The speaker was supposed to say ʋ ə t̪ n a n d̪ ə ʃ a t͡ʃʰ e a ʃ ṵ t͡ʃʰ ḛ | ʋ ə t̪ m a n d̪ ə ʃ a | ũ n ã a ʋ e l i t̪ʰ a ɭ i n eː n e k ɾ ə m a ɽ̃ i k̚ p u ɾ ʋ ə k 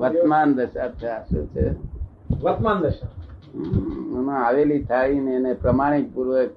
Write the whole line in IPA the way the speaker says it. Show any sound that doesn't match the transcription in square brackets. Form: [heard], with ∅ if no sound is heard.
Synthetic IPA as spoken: ʋ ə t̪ [m] a n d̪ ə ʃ a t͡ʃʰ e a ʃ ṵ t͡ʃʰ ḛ | ʋ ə t̪ m a n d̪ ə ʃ a | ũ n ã a ʋ e l i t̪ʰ a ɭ i n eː n e [p] ɾ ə m a ɽ̃ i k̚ p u ɾ ʋ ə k